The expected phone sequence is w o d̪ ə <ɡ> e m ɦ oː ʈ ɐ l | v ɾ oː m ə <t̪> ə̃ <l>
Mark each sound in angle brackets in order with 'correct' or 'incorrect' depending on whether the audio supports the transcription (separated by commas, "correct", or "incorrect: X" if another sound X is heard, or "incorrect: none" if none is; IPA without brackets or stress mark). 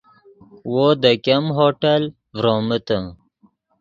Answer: incorrect: k, correct, incorrect: none